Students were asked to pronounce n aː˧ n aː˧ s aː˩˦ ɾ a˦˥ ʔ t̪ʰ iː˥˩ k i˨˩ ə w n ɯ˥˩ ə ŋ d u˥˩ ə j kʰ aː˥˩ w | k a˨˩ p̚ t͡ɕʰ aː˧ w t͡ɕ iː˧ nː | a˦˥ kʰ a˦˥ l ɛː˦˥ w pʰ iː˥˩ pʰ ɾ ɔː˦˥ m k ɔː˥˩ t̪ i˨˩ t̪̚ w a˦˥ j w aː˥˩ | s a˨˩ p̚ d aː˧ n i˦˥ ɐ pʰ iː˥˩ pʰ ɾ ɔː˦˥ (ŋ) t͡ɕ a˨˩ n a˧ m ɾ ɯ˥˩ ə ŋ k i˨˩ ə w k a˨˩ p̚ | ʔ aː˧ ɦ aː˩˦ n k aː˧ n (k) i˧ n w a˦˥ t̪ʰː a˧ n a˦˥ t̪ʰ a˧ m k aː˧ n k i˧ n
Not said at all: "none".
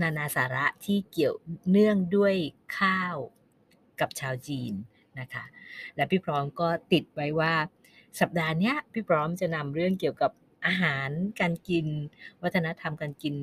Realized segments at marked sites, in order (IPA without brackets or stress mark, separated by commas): m, k